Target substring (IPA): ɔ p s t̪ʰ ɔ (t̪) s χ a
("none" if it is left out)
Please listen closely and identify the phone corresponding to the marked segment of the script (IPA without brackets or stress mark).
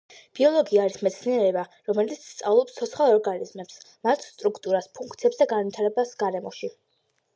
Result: t̪